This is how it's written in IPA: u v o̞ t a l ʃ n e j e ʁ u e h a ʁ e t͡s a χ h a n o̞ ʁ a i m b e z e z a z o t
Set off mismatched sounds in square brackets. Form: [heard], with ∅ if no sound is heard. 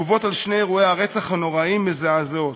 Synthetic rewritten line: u v o̞ t a l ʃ n e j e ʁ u e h a ʁ e t͡s a χ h a n o̞ ʁ a i m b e z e [∅] a z o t